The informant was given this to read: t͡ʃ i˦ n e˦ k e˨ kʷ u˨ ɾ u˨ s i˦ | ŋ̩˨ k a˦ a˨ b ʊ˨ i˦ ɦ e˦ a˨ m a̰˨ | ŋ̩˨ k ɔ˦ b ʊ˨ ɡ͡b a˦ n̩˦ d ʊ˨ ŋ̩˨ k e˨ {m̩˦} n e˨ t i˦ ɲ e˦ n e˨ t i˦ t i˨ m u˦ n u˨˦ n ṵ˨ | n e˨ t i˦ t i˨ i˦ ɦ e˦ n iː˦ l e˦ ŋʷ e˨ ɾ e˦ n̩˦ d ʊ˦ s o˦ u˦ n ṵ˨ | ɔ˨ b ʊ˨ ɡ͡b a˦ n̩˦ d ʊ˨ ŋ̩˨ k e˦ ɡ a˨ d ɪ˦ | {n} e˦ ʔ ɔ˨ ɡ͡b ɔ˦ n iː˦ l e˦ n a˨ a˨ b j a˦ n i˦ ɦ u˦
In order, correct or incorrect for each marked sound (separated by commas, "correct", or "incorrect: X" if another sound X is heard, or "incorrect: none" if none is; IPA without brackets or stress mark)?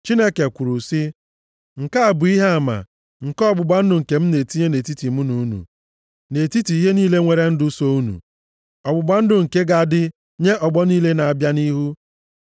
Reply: correct, incorrect: ɲ